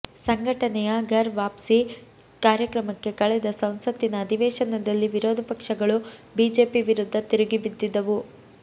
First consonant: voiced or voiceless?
voiceless